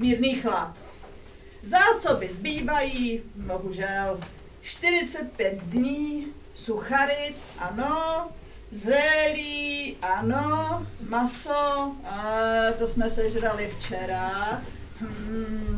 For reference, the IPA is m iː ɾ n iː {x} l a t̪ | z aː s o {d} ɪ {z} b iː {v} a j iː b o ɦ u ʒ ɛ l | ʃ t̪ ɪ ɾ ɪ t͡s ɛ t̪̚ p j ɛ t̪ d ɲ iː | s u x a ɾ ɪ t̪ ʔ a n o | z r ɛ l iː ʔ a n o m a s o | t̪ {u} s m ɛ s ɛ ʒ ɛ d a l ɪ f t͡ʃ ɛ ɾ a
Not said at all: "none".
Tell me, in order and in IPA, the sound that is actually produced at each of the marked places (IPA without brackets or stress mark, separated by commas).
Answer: x, b, z, v, o